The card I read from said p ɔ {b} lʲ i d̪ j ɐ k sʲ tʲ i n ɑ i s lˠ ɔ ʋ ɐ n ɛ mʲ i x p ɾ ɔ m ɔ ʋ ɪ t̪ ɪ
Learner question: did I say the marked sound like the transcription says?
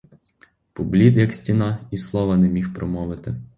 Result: yes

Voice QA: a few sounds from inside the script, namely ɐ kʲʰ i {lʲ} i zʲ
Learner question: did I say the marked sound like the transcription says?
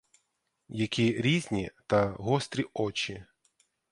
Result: no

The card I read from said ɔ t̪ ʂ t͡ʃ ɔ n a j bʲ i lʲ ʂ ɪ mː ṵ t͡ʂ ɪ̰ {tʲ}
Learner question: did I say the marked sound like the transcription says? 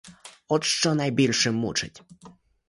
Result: yes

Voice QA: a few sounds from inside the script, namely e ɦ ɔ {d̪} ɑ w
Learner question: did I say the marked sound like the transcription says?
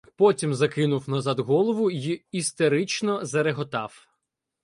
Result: no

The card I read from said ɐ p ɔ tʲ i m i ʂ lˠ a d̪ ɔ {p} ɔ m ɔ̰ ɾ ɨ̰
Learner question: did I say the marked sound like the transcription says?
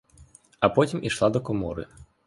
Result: no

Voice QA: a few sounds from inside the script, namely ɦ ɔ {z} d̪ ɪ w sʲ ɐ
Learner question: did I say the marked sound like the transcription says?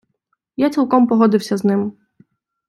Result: no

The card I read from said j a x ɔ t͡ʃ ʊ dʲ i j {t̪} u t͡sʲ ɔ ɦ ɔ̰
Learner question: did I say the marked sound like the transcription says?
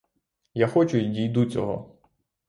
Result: no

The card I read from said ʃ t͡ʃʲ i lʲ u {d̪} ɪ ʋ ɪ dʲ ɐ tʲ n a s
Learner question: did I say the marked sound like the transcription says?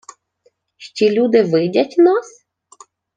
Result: yes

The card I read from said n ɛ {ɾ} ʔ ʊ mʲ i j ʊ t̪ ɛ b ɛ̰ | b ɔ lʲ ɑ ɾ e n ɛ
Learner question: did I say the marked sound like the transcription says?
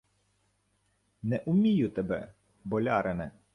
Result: no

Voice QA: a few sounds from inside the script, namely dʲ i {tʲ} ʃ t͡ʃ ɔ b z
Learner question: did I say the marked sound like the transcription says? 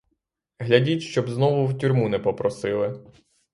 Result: yes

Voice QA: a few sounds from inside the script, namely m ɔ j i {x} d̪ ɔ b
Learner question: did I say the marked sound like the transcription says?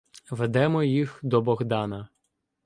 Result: yes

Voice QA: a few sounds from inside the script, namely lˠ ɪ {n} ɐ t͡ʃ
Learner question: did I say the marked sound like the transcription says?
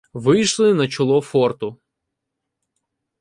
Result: yes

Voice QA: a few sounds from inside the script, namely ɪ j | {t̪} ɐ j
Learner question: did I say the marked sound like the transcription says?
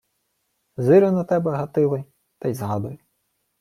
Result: yes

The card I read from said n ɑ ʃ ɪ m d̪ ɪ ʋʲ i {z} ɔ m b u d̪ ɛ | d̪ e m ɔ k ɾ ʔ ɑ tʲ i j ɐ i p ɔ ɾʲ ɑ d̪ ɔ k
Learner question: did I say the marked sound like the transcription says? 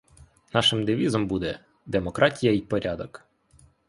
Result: yes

